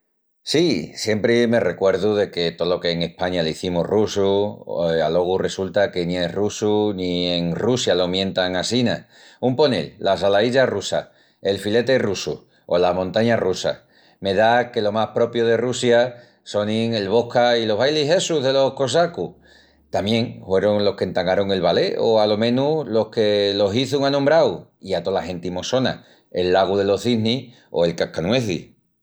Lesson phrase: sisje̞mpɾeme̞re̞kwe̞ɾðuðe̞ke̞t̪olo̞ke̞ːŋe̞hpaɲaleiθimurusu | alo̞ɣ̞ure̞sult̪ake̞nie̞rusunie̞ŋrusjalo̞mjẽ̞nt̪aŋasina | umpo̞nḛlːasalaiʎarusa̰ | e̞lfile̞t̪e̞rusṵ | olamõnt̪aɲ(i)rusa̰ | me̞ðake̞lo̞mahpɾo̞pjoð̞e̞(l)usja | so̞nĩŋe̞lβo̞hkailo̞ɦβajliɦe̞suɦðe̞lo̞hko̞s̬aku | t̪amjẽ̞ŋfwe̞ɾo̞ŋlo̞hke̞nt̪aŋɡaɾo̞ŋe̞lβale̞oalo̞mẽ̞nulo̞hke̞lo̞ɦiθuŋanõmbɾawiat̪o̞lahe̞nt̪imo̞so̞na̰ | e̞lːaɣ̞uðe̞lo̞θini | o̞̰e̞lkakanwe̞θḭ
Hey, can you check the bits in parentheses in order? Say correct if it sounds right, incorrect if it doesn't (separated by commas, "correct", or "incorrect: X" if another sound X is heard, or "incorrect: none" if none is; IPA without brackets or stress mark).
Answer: incorrect: a, incorrect: r